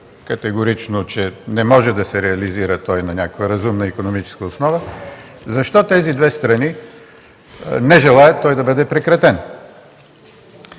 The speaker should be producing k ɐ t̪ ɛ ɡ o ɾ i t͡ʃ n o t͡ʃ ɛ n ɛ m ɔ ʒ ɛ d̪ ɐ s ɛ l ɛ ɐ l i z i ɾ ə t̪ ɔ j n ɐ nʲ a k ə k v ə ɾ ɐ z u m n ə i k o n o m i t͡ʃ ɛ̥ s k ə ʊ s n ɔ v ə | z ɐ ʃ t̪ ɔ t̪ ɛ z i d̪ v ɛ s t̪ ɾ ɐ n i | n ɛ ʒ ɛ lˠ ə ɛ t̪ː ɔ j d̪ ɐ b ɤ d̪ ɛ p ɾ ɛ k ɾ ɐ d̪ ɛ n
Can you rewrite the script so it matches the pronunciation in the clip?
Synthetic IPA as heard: k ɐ t̪ ɛ ɡ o ɾ i t͡ʃ n o t͡ʃ ɛ n ɛ m ɔ ʒ ɛ d̪ ɐ s ɛ ɾ ɛ ɐ l i z i ɾ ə t̪ ɔ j n ɐ nʲ a k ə k v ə ɾ ɐ z u m n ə i k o n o m i t͡ʃ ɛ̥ s k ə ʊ s n ɔ v ə | z ɐ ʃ t̪ ɔ t̪ ɛ z i d̪ v ɛ s t̪ ɾ ɐ n i | n ɛ ʒ ɛ lˠ a ɛ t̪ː ɔ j d̪ ɐ b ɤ d̪ ɛ p ɾ ɛ k ɾ ɐ t̪ ɛ n